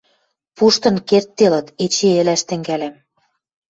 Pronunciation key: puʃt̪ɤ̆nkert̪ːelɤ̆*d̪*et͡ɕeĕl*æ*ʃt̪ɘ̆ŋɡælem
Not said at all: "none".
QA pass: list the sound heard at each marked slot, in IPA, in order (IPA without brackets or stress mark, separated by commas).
t̪, æ